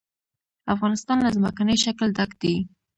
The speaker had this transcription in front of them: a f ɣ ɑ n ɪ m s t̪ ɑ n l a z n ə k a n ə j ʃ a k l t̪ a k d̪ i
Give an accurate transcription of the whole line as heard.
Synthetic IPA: a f ɣ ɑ n ɪ s t̪ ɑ n l a z m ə k a n ə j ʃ a k l d̪ a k d̪ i